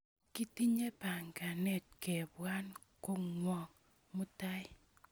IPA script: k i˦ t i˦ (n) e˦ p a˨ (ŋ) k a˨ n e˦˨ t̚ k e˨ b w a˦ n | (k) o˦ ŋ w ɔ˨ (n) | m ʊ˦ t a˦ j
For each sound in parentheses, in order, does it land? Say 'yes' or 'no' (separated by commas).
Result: no, yes, yes, no